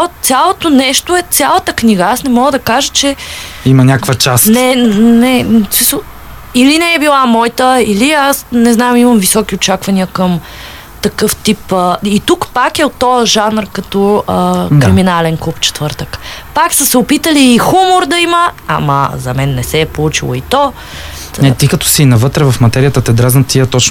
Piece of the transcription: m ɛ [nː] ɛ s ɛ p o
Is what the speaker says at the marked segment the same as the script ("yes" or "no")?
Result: yes